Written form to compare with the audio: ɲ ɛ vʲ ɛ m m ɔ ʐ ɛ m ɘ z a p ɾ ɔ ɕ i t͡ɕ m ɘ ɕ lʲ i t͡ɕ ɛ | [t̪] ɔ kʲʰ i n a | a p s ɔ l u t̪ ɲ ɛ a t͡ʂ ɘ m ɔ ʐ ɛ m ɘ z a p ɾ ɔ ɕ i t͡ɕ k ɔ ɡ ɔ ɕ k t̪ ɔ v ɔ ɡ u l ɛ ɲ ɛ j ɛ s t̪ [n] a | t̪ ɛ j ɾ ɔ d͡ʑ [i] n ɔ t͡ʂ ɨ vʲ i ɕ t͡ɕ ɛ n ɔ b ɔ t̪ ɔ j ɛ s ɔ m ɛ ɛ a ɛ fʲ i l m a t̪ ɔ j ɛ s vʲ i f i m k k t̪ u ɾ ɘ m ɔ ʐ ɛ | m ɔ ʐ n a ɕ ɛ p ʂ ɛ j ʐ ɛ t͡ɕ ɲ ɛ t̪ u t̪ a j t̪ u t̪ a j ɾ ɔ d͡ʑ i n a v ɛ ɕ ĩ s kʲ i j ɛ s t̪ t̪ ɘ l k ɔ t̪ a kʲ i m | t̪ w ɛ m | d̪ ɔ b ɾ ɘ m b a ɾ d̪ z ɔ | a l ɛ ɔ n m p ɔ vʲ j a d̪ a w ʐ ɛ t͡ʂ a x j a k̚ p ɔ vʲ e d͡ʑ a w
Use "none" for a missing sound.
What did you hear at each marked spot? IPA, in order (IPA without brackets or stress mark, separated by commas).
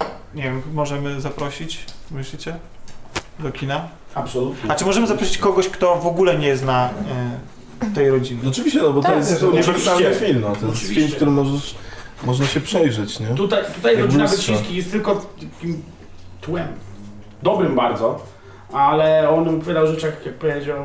d̪, n, i